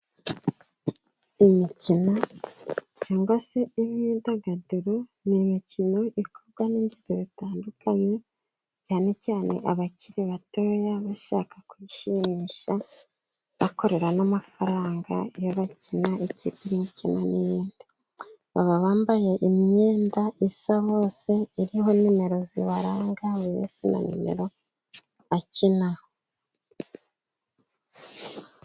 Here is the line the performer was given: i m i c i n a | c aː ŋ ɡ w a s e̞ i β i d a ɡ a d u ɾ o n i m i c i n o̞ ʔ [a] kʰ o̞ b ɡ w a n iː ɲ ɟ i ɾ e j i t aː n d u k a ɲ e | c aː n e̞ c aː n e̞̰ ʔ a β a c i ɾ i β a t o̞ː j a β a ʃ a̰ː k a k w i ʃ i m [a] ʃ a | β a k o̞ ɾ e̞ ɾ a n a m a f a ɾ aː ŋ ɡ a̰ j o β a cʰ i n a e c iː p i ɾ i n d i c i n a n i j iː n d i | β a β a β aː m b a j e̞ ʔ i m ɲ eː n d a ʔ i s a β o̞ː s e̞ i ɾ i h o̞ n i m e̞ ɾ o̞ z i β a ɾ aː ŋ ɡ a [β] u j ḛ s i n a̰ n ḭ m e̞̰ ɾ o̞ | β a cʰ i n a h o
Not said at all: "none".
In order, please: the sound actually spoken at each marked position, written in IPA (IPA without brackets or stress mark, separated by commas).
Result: i, i, β